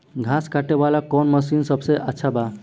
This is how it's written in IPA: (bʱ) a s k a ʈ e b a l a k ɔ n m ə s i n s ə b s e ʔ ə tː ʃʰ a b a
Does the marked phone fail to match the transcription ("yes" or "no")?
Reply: yes